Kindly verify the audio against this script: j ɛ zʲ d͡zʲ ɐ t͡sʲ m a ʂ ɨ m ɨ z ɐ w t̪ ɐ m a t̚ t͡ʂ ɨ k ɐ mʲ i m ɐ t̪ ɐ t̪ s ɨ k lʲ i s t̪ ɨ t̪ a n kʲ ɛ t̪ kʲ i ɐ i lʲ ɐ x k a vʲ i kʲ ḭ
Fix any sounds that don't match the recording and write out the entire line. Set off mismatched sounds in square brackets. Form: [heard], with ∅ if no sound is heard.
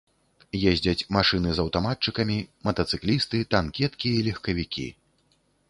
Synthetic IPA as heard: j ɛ zʲ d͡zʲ ɐ t͡sʲ m a ʂ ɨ [n] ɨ z ɐ w t̪ [a] m a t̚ t͡ʂ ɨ k ɐ mʲ i m ɐ t̪ ɐ t̪ s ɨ k lʲ i s t̪ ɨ t̪ a n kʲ ɛ t̪ kʲ i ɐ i lʲ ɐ x k [ɐ] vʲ i kʲ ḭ